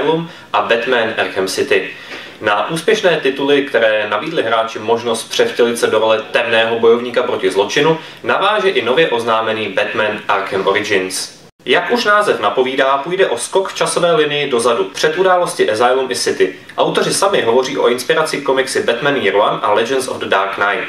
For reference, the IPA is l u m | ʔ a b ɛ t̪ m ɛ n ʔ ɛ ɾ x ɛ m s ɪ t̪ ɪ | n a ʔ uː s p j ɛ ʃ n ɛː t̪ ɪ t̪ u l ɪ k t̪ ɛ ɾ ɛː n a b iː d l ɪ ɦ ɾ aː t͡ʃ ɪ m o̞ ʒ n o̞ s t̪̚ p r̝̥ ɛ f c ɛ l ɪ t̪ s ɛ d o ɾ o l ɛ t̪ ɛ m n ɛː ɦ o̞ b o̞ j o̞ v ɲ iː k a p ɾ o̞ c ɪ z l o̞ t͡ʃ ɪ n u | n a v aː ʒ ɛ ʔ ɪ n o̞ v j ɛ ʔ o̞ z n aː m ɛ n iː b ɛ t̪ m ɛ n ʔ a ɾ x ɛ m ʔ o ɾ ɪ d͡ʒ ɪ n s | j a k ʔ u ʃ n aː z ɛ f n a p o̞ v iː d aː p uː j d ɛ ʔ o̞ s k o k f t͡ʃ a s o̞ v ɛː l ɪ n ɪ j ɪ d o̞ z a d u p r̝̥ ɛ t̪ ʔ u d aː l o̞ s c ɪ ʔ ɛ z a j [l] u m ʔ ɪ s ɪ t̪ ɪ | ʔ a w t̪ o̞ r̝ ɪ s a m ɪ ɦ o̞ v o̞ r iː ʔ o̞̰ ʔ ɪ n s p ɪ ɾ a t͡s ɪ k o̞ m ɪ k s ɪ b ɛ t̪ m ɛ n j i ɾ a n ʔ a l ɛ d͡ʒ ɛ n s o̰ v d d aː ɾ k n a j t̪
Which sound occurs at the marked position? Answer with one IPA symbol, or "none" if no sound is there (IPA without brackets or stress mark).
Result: l